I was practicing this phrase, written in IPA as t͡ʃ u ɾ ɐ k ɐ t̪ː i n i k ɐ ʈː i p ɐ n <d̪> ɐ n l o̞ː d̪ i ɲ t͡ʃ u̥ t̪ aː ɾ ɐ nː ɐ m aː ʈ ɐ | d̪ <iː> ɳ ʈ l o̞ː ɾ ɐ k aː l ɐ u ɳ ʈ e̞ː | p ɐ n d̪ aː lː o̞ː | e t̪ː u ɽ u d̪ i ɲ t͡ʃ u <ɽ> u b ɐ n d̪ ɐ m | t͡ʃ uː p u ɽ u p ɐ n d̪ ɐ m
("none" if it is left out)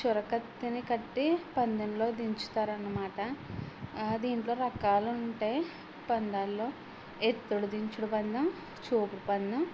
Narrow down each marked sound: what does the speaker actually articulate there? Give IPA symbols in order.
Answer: d̪, iː, ɽ

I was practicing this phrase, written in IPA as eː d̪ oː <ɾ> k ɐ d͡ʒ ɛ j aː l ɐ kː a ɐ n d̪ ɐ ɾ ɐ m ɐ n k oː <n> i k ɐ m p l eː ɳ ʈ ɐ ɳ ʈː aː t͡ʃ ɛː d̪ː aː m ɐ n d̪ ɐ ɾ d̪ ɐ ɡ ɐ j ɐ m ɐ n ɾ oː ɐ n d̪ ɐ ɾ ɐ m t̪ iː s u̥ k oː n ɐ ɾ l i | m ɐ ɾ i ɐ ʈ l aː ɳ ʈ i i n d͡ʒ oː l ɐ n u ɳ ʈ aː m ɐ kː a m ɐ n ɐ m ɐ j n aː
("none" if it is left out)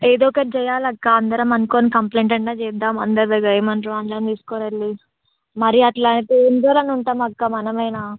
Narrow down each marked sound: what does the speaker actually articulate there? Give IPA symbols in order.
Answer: none, n

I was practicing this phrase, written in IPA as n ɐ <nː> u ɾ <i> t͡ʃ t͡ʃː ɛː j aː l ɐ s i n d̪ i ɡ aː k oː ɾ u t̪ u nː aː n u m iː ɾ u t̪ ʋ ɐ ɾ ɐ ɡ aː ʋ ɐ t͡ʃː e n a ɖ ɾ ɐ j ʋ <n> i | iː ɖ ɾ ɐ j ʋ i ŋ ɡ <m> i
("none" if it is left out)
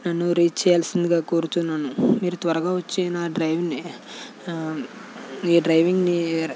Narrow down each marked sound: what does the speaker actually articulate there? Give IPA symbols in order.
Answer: nː, iː, n, n

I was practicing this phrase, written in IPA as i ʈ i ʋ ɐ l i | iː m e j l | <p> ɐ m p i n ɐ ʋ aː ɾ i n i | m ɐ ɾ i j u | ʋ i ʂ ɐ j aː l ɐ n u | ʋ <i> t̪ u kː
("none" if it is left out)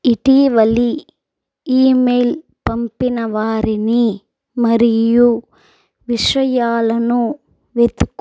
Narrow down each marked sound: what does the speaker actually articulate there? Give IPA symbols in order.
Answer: p, e

